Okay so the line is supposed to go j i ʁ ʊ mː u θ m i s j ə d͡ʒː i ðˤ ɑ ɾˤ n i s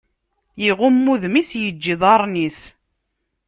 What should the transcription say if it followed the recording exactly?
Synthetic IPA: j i ʁ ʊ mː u ð m i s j ə d͡ʒː i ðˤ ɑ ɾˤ n i s